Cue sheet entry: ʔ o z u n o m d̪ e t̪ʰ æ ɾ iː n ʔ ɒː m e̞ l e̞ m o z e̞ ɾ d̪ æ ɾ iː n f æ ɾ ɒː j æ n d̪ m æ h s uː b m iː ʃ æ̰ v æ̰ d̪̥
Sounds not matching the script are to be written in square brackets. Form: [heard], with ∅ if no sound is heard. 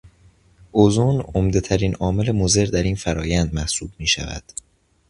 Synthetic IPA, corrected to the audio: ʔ o z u n o m d̪ e t̪ʰ æ ɾ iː n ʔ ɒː m e̞ l e̞ m o z e̞ ɾ d̪ æ ɾ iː n f æ ɾ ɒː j æ n d̪ m æ h s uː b m iː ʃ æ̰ v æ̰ d̪̥